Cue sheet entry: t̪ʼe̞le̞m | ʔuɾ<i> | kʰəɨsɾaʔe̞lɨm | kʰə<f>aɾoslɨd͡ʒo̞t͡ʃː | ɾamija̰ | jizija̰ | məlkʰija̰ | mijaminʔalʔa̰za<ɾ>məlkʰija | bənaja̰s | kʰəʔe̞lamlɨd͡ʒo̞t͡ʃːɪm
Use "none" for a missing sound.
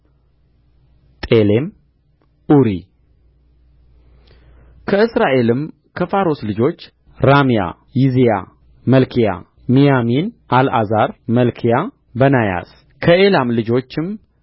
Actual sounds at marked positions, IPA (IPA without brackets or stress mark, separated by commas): i, f, ɾ